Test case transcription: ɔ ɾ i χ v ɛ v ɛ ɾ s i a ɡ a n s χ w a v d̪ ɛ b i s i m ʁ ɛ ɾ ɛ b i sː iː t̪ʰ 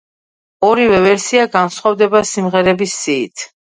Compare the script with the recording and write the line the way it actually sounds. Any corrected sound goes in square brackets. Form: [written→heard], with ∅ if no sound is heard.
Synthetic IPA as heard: ɔ ɾ i [χ→∅] v ɛ v ɛ ɾ s i a ɡ a n s χ w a v d̪ ɛ b [i→a] s i m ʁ ɛ ɾ ɛ b i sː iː t̪ʰ